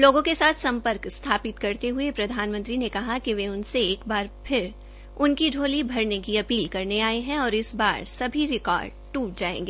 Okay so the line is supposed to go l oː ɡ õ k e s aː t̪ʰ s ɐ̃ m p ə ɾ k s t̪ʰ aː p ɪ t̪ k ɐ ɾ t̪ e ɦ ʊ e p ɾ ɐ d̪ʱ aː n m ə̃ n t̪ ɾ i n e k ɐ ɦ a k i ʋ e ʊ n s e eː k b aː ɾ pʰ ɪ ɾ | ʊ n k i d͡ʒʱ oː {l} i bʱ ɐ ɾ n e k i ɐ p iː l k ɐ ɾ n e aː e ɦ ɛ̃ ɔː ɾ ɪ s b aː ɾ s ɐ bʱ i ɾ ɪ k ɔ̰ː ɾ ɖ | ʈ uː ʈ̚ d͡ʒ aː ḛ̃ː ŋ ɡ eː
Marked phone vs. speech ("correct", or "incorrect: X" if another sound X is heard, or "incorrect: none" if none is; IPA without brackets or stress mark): correct